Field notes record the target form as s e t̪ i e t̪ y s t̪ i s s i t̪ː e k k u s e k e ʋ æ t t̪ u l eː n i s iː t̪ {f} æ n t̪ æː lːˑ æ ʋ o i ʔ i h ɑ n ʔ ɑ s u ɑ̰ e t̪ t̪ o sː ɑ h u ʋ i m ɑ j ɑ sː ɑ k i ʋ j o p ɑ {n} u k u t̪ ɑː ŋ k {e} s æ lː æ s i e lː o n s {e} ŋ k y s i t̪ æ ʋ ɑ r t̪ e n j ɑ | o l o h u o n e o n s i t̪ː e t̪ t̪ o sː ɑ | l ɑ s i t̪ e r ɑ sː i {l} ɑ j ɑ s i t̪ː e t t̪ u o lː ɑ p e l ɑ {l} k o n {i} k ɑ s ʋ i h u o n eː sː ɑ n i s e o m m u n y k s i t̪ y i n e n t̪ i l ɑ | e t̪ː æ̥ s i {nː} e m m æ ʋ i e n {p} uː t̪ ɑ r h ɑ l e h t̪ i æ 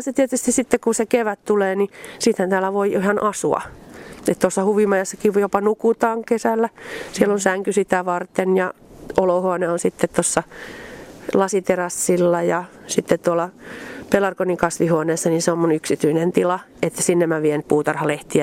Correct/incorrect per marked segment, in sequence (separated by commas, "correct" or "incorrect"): incorrect, correct, correct, incorrect, incorrect, incorrect, correct, correct, correct